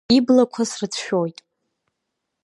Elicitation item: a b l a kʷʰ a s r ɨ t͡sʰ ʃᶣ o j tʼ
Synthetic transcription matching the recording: i b l a kʷʰ a s r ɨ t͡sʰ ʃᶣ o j tʼ